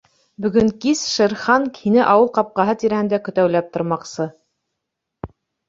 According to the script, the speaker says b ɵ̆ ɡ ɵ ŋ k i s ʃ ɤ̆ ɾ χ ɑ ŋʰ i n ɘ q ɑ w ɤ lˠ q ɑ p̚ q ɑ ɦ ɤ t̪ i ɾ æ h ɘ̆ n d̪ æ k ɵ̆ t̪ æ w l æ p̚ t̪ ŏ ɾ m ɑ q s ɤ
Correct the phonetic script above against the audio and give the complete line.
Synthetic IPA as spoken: b ɵ̆ ɡ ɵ ŋ k i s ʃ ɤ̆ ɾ χ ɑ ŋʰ i n ɘ ʔ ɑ w ɤ lˠ q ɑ p̚ q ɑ ɦ ɤ t̪ i ɾ æ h ɘ̆ n d̪ æ k ɵ̆ t̪ æ w l æ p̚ t̪ ŏ ɾ m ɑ q s ɤ

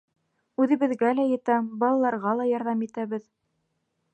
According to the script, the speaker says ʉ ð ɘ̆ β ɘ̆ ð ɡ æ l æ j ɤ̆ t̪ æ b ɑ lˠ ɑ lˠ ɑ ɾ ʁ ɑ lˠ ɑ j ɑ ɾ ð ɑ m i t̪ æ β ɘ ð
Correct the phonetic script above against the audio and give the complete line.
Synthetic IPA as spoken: ʉ ð ɘ̆ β ɘ̆ ð ɡ æ l æ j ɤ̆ t̪ æ b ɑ lˠ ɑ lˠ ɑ ɾ ʁ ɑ lˠ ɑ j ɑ ɾ ð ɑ m i t̪ æ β ɘ ð

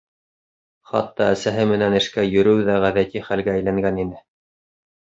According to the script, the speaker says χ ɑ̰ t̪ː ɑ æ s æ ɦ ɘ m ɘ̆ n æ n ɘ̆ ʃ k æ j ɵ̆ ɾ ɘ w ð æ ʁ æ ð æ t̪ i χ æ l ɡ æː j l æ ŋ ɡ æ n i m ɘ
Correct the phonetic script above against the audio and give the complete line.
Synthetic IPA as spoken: χ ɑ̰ t̪ː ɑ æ s æ ɦ ɘ m ɘ̆ n æ n ɘ̆ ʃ k æ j ɵ̆ ɾ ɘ w ð æ ʁ æ ð æ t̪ i χ æ l ɡ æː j l æ ŋ ɡ æ n i n ɘ

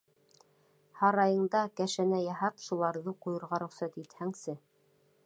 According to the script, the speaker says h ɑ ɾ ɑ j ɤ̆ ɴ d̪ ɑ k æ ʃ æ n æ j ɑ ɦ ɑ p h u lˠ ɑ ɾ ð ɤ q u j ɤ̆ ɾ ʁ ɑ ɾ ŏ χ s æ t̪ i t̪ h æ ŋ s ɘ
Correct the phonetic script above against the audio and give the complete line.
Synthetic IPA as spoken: h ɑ ɾ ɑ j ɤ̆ ɴ d̪ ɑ k æ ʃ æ n æ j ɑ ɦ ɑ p ʃ u lˠ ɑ ɾ ð ɤ q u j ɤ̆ ɾ ʁ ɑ ɾ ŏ χ s æ t̪ i t̪ h æ ŋ s ɘ

